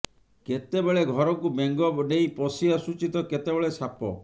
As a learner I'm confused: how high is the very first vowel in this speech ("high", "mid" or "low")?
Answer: mid